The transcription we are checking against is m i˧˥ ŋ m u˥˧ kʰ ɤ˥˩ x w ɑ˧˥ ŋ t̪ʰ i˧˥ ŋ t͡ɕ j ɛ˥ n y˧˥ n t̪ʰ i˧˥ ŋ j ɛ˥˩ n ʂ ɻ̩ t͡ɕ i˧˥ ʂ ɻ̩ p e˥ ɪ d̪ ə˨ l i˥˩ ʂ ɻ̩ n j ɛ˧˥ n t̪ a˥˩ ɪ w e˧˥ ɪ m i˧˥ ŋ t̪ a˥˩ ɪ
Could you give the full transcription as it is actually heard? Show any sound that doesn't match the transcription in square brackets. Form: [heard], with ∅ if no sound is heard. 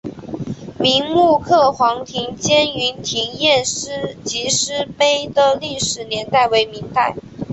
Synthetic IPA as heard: m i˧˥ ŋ m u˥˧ kʰ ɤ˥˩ x w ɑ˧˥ ŋ t̪ʰ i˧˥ ŋ t͡ɕ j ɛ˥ n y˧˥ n t̪ʰ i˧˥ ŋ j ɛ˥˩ n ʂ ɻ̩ t͡ɕ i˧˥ ʂ ɻ̩ p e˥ ɪ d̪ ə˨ l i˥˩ ʂ ɻ̩ n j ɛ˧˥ n t̪ a˥˩ ɪ w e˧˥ ɪ m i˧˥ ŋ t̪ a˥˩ ɪ